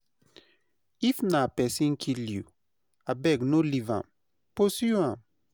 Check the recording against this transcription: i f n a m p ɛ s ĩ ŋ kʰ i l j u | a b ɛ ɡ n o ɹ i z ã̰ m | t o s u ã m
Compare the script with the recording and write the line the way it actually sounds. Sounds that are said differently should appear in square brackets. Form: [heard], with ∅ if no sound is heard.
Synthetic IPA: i f n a [∅] p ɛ s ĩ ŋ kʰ i l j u | a b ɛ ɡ n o [l] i [v] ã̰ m | [p] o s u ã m